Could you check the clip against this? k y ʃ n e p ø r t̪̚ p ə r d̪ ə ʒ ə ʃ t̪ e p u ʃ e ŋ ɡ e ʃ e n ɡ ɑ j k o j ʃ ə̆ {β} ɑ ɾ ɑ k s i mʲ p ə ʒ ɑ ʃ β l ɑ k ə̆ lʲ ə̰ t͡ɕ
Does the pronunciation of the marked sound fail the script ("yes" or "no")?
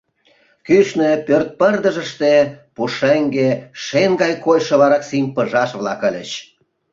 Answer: no